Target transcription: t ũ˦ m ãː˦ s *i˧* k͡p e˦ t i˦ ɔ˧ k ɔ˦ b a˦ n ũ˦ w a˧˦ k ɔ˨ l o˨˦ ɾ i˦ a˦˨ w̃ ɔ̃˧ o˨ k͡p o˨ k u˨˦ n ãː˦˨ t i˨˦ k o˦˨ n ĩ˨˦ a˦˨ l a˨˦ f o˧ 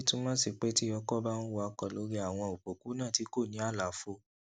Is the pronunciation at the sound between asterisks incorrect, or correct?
correct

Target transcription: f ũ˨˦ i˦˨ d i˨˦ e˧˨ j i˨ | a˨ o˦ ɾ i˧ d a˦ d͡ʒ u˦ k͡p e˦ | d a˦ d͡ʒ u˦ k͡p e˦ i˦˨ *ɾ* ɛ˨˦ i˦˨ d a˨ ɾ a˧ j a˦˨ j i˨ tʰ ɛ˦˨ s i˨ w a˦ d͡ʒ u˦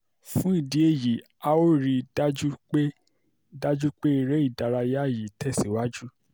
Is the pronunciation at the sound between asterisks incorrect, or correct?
correct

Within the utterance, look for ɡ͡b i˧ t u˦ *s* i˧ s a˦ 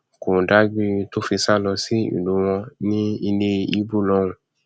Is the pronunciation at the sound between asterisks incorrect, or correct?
incorrect: f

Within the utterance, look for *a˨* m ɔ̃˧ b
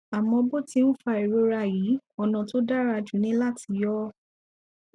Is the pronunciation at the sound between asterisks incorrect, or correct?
correct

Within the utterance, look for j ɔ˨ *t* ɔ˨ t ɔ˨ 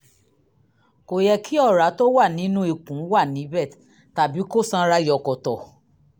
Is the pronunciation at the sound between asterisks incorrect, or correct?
incorrect: k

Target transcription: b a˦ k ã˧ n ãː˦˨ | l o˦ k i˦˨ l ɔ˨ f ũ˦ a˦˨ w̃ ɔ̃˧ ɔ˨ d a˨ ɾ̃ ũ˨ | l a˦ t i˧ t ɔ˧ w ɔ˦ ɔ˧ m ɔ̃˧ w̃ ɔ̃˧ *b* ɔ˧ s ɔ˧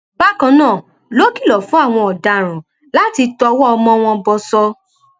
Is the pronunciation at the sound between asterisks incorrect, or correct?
correct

